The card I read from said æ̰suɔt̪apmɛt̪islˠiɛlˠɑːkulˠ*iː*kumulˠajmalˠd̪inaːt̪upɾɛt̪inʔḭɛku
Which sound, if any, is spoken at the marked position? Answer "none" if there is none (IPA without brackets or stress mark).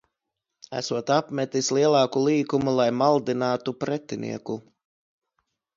iː